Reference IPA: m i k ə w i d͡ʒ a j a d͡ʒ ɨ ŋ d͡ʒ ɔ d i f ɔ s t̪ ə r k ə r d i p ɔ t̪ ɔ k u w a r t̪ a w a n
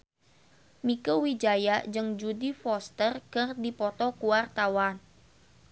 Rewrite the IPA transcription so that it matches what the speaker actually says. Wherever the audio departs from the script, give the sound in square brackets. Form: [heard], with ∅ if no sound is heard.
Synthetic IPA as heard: m i k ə w i d͡ʒ a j a d͡ʒ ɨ ŋ d͡ʒ [u] d i f ɔ s t̪ ə r k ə r d i p ɔ t̪ ɔ k u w a r t̪ a w a n